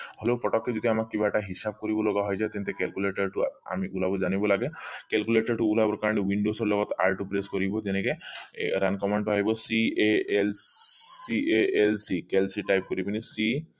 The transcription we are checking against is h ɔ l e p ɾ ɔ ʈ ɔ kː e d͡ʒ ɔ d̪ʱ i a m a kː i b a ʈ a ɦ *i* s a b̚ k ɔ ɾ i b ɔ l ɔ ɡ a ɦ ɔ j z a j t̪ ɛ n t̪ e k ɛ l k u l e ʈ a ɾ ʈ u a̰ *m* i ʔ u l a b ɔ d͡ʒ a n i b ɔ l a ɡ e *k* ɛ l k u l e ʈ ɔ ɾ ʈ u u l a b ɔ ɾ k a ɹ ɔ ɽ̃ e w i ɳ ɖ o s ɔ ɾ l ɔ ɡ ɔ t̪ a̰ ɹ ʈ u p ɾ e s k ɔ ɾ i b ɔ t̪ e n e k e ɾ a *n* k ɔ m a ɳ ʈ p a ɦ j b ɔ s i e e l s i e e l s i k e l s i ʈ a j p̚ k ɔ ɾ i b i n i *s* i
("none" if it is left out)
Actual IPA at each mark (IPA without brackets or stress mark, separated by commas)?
i, m, k, n, s